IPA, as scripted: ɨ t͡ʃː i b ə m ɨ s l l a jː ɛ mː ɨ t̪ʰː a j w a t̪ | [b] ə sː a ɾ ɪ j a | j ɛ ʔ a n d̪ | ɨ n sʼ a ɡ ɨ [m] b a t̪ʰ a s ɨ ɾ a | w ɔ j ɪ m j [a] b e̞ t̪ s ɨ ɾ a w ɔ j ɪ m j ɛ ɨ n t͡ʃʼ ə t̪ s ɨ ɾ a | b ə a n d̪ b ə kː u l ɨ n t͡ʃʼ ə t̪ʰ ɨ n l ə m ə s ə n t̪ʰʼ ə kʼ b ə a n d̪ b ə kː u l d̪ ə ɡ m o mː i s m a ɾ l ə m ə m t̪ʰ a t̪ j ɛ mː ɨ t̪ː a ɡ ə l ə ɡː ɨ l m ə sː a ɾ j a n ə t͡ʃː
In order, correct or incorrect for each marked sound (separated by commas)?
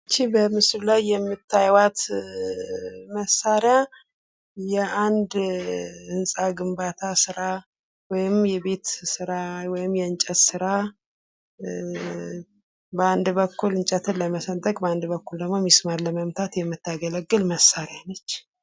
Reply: incorrect, correct, incorrect